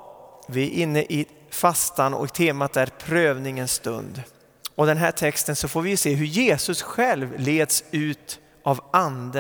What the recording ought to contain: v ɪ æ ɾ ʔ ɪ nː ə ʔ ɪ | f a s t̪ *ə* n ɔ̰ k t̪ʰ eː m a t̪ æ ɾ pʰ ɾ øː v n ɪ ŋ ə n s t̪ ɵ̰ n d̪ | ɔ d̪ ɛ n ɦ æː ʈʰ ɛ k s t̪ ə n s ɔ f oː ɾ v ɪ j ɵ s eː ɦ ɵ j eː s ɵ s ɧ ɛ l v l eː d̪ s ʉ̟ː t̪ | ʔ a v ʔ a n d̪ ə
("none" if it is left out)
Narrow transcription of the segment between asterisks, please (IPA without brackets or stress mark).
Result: a